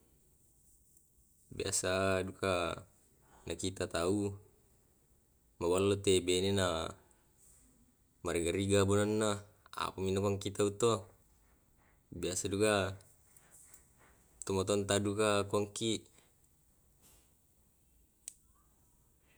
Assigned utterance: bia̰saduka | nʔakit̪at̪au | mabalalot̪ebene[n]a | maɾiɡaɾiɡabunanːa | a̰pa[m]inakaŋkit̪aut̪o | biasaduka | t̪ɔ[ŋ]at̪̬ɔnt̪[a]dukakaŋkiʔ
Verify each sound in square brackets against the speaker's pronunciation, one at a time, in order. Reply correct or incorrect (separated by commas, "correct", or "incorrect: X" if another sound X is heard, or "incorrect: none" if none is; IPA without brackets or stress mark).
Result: correct, correct, incorrect: m, correct